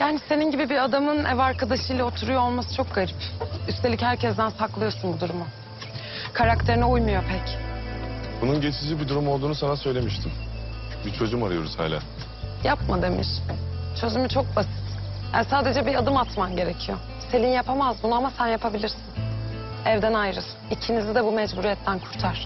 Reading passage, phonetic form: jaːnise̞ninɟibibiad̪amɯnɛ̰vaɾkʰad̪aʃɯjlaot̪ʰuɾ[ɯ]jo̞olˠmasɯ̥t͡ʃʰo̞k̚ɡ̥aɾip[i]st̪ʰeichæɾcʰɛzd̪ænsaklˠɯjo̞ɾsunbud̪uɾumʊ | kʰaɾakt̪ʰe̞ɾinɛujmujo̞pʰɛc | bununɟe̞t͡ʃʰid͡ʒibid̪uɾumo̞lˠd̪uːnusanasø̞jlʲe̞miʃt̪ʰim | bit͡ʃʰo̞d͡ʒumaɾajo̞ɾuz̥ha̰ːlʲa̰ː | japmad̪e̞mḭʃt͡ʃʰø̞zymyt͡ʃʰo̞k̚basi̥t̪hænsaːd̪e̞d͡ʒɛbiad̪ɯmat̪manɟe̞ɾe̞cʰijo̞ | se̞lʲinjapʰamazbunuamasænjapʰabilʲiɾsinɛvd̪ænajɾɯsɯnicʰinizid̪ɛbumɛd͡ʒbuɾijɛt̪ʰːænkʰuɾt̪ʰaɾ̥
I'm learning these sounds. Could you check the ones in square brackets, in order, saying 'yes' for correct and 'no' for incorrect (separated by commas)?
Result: no, no